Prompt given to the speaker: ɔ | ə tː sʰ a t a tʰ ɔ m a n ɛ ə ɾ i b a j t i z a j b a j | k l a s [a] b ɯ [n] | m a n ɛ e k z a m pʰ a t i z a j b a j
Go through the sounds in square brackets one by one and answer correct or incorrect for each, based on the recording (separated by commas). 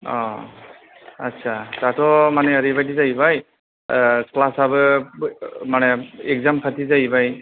correct, incorrect